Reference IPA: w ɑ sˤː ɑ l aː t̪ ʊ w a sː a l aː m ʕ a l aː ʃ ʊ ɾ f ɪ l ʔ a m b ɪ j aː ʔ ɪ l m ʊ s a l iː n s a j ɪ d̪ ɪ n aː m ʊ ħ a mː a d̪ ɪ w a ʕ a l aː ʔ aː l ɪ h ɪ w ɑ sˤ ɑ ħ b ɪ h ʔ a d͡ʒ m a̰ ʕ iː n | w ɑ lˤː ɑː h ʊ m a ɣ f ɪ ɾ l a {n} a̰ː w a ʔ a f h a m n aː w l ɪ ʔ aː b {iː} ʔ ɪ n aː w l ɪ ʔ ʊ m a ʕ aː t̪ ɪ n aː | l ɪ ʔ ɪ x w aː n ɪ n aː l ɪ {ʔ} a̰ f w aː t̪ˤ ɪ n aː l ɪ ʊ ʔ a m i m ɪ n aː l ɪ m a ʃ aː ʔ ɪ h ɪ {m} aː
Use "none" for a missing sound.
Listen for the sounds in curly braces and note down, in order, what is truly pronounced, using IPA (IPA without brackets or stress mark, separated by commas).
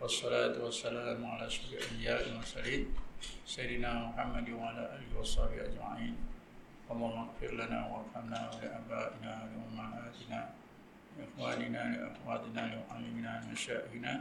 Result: n, aː, ʔ, n